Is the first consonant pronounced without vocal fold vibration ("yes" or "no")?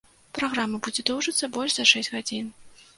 yes